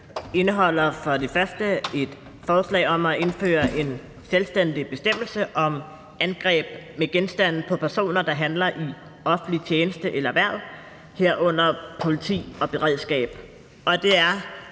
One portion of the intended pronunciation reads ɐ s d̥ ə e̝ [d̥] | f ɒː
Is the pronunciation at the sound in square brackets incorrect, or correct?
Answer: correct